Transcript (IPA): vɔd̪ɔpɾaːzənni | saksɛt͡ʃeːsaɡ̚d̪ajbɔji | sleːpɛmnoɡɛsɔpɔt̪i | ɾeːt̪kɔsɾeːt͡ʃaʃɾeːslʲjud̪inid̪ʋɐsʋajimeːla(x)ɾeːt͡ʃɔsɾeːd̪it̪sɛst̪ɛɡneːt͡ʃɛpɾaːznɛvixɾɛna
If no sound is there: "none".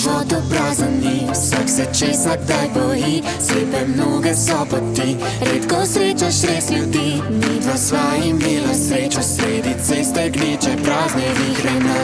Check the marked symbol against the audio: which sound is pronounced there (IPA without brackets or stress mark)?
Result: s